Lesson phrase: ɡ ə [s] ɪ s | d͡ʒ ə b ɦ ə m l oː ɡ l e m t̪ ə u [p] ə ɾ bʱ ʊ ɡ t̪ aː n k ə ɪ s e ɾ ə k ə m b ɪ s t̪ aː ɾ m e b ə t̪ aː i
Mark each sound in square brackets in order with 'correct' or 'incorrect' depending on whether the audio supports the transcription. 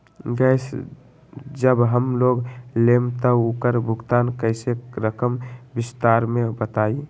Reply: incorrect, incorrect

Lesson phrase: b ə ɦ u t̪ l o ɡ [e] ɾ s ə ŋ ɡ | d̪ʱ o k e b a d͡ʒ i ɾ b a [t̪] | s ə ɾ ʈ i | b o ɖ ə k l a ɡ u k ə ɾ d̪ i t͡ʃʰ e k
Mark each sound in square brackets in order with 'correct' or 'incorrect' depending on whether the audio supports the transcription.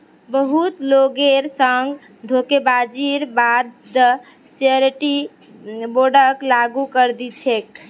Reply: correct, incorrect

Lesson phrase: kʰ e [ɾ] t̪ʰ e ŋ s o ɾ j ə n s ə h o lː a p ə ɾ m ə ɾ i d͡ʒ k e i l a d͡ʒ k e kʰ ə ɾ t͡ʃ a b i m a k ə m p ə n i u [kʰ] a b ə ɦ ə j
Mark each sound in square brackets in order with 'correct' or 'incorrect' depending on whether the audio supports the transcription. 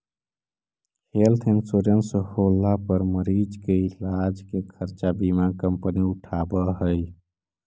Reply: incorrect, incorrect

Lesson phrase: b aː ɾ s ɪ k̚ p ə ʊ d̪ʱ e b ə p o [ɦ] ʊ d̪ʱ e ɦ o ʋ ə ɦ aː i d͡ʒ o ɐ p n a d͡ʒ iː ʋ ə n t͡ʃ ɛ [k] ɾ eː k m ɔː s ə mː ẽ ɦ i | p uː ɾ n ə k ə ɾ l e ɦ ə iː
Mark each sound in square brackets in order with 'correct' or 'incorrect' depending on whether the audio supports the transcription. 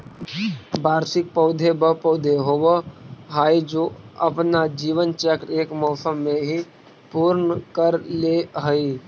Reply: incorrect, correct

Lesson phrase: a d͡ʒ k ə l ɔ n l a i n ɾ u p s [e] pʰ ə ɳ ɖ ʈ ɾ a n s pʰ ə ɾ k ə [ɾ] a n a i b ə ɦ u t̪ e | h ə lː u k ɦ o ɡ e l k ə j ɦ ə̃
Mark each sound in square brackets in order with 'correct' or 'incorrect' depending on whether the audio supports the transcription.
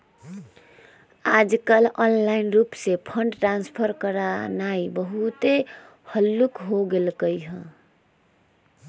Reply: correct, correct

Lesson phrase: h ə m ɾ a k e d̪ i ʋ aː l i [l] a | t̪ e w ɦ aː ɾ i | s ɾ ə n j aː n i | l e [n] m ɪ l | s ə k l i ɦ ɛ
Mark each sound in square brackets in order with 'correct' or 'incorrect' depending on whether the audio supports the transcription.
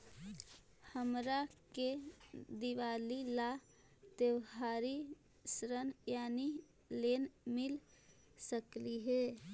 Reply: correct, correct

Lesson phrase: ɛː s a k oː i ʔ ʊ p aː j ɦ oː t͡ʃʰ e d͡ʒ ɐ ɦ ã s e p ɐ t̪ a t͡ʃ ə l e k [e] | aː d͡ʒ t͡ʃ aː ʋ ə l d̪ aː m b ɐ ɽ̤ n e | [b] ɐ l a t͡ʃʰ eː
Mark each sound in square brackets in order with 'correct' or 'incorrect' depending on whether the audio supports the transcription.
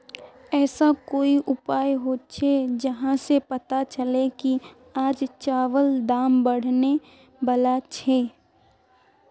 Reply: incorrect, correct

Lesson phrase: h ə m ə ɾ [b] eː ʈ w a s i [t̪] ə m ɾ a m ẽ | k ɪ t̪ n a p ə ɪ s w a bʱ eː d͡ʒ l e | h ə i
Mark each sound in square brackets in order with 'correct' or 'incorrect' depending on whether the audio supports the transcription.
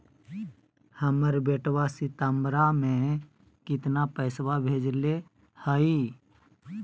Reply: correct, correct

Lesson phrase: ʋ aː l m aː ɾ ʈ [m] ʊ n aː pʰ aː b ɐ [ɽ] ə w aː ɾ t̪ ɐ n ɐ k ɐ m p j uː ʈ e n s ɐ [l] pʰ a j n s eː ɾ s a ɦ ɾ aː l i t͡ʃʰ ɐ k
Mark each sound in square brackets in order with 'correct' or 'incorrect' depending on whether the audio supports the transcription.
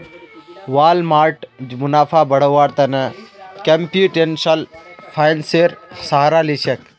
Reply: correct, correct, correct

